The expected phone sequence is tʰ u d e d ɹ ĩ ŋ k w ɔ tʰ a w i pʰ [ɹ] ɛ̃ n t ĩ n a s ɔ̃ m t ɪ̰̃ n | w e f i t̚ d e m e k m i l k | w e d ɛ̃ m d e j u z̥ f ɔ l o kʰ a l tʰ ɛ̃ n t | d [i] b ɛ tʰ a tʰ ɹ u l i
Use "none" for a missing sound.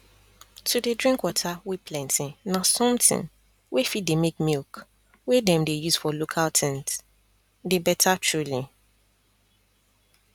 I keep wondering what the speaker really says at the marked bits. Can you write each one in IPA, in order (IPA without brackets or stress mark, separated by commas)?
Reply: l, e